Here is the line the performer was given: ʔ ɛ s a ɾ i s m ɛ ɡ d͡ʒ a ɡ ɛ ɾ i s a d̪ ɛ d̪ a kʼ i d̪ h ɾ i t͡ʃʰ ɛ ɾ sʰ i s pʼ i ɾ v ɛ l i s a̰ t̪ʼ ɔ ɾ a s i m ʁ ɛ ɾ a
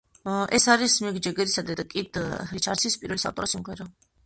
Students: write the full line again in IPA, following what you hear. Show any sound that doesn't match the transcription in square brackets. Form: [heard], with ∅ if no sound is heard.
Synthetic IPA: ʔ ɛ s a ɾ i s m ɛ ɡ d͡ʒ [ɛ] ɡ ɛ ɾ i s a d̪ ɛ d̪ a kʼ i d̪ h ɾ i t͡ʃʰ [a] ɾ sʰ i s pʼ i ɾ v ɛ l i s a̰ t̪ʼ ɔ ɾ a s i m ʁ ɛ ɾ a